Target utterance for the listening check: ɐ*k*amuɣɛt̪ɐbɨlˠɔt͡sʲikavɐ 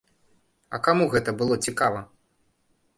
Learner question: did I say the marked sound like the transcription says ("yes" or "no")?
yes